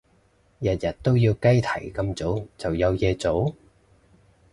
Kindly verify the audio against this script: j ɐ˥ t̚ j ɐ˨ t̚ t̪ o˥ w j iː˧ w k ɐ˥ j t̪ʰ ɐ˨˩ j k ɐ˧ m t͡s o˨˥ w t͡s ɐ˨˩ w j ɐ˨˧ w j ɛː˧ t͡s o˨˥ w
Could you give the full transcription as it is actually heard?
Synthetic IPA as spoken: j ɐ˨ t̚ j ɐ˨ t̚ t̪ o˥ w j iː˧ w k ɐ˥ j t̪ʰ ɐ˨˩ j k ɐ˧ m t͡s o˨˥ w t͡s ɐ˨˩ w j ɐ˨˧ w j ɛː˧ t͡s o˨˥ w